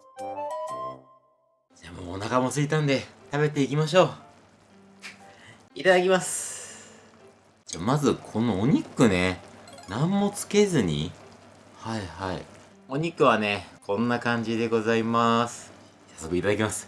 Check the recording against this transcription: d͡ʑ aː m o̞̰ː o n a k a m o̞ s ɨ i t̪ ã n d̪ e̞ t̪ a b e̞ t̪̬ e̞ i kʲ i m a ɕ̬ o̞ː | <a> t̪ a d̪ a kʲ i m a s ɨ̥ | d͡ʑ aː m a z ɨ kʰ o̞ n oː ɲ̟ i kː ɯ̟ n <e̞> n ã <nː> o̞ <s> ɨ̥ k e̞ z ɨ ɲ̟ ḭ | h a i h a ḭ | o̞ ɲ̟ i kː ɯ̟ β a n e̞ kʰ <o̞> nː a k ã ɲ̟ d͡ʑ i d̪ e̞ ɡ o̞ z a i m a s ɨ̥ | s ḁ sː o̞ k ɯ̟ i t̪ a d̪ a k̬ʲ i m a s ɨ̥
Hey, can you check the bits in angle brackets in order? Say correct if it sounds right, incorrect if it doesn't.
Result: incorrect, correct, incorrect, incorrect, incorrect

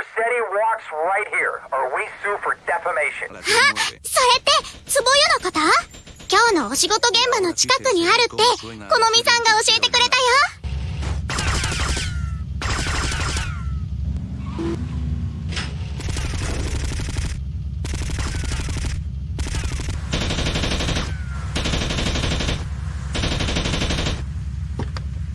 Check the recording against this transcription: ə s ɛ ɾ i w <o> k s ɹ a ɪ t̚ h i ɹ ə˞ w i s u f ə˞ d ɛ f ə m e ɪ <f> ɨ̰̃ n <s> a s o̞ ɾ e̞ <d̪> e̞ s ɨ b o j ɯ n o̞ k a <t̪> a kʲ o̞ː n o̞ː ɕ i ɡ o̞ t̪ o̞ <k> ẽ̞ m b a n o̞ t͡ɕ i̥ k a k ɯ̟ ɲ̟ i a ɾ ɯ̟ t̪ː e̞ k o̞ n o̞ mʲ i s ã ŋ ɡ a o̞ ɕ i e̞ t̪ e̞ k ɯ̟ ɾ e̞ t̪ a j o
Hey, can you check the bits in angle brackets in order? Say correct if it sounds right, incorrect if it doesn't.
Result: incorrect, incorrect, incorrect, incorrect, correct, incorrect

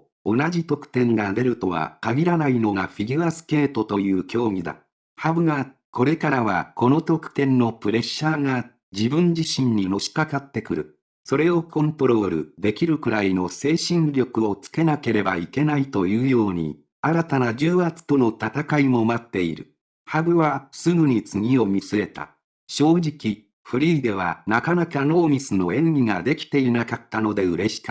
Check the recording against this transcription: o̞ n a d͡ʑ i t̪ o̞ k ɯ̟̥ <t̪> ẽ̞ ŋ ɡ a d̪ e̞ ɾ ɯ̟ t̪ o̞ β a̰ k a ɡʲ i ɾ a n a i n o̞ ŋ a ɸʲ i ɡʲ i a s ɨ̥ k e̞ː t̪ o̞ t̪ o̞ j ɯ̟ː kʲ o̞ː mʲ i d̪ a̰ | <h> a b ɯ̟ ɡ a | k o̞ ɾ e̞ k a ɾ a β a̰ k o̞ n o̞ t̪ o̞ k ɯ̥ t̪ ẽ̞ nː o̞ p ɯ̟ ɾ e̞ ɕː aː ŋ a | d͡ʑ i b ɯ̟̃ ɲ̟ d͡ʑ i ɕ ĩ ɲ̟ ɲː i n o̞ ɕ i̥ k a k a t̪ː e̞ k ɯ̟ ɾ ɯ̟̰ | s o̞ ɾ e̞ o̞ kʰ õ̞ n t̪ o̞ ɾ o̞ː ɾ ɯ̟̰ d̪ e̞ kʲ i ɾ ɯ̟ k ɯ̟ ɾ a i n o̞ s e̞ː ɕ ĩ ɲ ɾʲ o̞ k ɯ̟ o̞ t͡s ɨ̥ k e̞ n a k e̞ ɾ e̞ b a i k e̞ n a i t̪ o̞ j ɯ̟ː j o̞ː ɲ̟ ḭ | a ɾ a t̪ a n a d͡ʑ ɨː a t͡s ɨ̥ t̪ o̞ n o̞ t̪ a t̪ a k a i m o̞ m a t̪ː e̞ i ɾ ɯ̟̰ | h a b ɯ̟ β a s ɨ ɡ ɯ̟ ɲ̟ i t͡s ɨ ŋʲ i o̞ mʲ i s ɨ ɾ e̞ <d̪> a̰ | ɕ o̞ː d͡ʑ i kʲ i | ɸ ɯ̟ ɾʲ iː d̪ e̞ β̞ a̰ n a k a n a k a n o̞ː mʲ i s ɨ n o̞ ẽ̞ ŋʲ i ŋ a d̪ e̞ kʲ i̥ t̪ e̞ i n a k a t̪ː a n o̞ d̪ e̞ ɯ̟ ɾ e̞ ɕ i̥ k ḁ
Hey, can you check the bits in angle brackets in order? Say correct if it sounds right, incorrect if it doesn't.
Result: correct, correct, incorrect

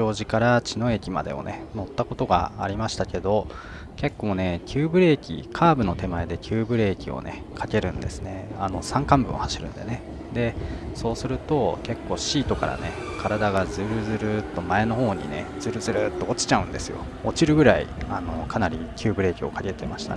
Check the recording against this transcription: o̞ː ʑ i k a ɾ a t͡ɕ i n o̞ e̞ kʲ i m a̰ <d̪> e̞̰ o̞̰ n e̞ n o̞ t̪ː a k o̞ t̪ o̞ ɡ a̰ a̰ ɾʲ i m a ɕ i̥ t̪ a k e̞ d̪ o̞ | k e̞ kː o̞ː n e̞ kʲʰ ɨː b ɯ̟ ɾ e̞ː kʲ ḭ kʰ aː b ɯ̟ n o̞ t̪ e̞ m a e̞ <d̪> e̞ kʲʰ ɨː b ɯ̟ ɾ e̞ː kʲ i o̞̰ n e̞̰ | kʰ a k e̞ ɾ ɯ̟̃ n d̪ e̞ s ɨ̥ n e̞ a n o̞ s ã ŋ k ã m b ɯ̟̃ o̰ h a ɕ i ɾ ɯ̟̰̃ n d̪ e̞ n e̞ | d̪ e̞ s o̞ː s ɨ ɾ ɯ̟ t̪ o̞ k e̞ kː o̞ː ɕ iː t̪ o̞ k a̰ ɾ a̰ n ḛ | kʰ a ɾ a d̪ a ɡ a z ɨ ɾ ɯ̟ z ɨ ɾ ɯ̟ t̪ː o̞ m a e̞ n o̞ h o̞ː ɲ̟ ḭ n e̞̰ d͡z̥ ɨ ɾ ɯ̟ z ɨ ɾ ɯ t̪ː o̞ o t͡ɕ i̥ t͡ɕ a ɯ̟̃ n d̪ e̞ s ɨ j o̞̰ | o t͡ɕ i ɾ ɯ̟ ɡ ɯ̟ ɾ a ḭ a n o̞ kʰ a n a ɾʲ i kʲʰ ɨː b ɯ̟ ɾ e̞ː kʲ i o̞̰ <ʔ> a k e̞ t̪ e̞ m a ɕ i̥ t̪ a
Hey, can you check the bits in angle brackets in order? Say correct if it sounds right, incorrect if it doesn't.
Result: correct, correct, incorrect

